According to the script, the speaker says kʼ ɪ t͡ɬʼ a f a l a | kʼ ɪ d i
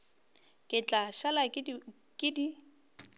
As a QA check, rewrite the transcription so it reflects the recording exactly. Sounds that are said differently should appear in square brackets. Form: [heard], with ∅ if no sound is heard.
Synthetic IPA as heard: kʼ ɪ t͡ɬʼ a [ʃ] a l a | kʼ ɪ d i